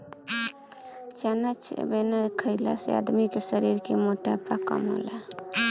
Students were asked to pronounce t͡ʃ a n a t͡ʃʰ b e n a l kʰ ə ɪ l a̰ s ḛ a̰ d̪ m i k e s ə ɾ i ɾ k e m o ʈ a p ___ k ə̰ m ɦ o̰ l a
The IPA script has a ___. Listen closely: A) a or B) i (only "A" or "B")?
A